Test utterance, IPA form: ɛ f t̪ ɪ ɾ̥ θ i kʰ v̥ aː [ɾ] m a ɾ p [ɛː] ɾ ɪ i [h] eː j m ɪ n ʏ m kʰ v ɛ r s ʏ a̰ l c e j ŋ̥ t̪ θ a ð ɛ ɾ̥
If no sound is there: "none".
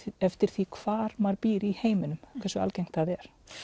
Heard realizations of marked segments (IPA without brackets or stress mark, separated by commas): ɾ, iː, h